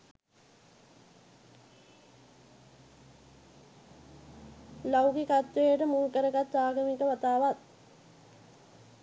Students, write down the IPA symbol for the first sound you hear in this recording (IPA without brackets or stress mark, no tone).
l